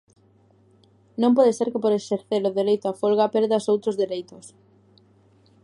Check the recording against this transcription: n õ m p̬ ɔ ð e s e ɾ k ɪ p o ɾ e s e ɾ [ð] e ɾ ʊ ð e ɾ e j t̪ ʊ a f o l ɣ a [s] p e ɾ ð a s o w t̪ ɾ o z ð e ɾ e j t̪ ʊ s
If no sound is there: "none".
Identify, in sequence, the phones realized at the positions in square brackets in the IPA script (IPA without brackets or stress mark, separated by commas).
θ, none